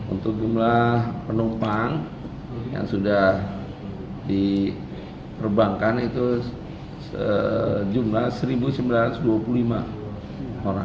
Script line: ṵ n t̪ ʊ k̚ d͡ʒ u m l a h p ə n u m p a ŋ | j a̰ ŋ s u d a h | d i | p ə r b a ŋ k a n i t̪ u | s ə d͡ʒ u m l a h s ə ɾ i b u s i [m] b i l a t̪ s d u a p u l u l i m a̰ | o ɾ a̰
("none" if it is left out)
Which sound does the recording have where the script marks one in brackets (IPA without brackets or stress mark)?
m